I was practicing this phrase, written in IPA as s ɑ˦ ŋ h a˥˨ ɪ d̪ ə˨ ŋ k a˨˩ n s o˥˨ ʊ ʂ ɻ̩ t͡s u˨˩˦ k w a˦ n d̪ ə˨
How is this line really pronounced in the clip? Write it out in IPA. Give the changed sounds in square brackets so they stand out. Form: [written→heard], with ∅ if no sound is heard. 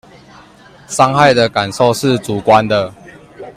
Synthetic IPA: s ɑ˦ ŋ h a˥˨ ɪ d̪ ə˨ [ŋ→∅] k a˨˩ n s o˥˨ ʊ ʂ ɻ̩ t͡s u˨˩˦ k w a˦ n d̪ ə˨